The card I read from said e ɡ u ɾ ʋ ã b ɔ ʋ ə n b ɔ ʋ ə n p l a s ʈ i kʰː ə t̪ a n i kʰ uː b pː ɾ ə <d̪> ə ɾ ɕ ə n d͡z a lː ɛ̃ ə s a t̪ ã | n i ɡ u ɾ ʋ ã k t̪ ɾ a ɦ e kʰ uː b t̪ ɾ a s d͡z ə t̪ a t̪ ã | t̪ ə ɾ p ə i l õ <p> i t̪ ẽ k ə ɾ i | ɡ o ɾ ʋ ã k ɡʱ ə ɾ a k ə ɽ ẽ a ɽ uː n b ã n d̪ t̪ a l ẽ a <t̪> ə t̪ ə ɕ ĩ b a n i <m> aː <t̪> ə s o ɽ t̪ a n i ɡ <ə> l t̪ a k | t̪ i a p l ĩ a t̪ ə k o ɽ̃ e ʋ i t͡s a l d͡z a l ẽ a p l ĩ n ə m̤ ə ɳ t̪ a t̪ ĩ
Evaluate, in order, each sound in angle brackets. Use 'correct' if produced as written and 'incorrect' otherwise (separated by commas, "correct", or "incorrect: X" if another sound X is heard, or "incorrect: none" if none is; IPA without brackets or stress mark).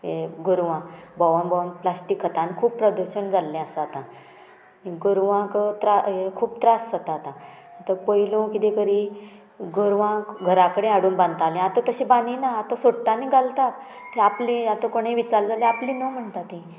correct, incorrect: k, correct, incorrect: n, correct, incorrect: a